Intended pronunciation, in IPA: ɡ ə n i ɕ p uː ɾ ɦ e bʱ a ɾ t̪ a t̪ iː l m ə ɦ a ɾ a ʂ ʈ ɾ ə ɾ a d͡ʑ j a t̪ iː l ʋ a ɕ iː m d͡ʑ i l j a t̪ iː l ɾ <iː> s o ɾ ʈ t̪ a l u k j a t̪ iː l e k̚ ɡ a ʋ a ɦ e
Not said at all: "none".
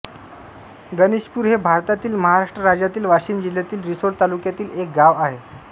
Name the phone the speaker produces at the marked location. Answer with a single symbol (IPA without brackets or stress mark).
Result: i